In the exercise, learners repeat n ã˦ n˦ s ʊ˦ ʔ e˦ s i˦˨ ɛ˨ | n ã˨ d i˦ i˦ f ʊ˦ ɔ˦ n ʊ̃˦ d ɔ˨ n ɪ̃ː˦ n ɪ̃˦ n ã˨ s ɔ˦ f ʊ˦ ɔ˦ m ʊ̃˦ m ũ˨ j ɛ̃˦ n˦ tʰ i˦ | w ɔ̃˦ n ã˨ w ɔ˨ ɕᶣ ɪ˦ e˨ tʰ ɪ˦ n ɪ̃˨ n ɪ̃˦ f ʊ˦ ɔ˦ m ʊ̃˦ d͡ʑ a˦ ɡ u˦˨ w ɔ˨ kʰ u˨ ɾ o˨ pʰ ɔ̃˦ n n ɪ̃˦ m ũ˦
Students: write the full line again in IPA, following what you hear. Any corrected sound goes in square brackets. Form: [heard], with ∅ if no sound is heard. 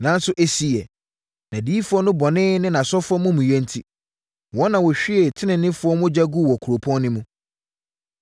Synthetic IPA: n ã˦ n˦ s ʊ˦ ʔ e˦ s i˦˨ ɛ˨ | n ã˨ d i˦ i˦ f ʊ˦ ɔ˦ n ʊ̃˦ [b] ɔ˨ n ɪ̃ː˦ n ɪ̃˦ n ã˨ s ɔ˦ f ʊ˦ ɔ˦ m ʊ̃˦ m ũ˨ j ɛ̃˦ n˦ tʰ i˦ | w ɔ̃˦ n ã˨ w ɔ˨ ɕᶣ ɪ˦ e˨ tʰ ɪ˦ n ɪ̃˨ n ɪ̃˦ f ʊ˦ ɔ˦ m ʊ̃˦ d͡ʑ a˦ ɡ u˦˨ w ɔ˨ kʰ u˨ ɾ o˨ pʰ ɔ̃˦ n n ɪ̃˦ m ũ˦